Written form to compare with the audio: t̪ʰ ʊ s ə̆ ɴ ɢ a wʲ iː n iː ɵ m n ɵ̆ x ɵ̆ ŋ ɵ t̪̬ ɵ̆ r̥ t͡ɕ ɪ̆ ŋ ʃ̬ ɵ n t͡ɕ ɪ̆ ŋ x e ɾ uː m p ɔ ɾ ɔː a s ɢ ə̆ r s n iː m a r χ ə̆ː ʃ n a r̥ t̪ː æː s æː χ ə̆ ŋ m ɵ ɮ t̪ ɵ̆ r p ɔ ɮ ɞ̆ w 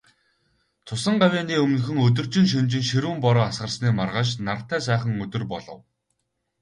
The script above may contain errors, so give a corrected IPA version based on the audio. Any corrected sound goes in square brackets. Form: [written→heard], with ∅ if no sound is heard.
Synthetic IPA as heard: t̪ʰ ʊ s ə̆ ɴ ɢ a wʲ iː n iː ɵ m n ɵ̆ x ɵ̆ ŋ ɵ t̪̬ ɵ̆ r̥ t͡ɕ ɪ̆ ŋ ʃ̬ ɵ n t͡ɕ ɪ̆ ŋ [x→ʃ] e ɾ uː m p ɔ ɾ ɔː a s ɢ ə̆ r s n iː m a r [χ→ʁ] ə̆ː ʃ n a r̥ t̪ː æː s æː χ ə̆ ŋ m ɵ [ɮ→∅] t̪ ɵ̆ r p ɔ ɮ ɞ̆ w